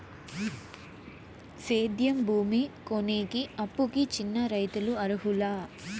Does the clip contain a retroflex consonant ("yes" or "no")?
no